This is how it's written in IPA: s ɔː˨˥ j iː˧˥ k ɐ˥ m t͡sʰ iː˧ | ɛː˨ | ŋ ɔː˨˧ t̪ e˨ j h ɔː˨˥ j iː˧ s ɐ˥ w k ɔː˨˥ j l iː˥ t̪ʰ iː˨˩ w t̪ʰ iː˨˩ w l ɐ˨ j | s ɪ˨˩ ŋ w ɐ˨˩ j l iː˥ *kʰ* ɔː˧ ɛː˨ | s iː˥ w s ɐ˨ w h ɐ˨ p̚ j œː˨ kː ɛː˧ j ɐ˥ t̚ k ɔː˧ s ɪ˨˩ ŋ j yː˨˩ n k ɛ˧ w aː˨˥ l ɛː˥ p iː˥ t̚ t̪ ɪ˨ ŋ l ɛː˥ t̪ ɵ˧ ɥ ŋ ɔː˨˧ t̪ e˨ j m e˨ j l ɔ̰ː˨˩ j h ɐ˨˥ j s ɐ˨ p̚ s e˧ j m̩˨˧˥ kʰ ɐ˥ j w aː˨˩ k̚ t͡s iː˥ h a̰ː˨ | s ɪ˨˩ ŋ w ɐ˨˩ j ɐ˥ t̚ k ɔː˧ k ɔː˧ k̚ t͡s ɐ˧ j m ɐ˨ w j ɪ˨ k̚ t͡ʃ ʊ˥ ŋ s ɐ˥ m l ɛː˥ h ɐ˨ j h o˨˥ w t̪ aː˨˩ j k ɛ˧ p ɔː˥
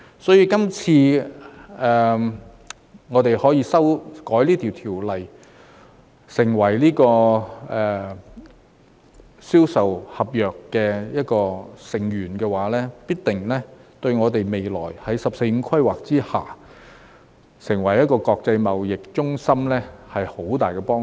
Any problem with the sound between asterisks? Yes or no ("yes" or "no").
yes